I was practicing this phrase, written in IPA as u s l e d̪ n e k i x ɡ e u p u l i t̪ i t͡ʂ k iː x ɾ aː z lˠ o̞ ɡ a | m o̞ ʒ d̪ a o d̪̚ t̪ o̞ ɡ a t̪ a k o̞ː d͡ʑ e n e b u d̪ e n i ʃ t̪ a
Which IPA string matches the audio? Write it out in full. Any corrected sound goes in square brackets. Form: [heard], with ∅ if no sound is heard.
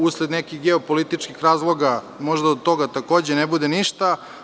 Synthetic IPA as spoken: u s l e d̪ n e k i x ɡ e [o] p [o] l i t̪ i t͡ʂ k [i] x ɾ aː z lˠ o̞ ɡ a | m o̞ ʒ d̪ a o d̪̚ t̪ o̞ ɡ a t̪ a k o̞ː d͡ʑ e n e b u d̪ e n i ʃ t̪ a